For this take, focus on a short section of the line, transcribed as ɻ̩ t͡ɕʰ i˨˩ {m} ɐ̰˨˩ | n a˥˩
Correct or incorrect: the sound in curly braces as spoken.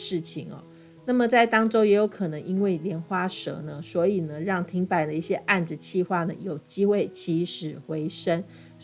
incorrect: ŋ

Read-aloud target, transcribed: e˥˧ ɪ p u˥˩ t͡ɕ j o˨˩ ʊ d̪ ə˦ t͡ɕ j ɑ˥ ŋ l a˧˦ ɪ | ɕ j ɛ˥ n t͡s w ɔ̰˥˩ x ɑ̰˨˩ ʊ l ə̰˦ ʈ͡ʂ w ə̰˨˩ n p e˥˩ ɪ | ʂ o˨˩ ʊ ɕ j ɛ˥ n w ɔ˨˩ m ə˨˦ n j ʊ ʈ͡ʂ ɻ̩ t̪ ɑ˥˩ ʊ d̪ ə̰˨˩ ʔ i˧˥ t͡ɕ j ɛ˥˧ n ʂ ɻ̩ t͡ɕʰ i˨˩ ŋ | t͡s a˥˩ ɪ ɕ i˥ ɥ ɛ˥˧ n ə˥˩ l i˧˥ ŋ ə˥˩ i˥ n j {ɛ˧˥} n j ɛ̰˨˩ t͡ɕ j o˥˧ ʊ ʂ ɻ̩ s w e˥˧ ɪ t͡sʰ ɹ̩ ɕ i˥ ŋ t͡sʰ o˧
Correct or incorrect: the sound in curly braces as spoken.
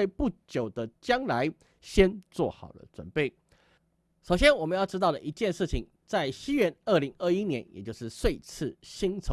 correct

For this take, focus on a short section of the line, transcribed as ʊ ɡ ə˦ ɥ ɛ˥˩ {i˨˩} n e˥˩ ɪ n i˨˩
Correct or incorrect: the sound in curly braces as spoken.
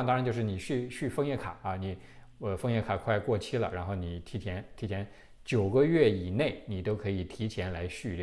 correct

